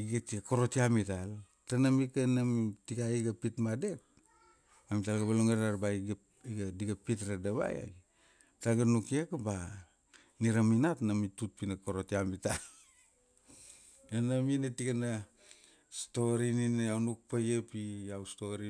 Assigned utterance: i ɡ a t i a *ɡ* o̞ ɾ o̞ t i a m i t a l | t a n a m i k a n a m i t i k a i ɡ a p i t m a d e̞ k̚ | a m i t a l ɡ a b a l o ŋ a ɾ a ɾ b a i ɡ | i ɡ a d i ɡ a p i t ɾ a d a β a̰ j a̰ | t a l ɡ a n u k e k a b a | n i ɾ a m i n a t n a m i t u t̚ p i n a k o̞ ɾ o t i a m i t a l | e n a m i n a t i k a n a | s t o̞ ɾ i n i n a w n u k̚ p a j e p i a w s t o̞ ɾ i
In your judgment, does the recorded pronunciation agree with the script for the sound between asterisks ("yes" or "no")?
no